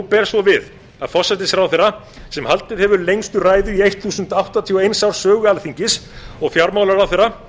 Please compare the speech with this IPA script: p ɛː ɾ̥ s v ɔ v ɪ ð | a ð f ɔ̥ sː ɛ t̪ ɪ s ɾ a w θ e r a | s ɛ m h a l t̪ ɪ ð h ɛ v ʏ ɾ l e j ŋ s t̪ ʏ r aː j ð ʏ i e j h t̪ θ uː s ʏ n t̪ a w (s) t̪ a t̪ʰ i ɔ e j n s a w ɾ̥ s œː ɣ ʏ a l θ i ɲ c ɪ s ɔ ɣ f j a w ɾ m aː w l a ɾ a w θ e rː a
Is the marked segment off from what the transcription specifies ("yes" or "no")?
yes